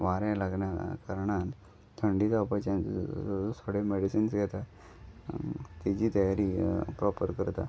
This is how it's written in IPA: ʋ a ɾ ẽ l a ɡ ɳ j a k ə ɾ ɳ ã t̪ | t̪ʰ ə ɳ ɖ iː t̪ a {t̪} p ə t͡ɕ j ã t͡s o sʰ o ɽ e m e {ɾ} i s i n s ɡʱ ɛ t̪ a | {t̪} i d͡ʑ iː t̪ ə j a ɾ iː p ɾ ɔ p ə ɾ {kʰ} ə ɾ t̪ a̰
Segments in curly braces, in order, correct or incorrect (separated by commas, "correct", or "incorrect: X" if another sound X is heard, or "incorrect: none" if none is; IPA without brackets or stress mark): incorrect: none, incorrect: ɽ, correct, incorrect: k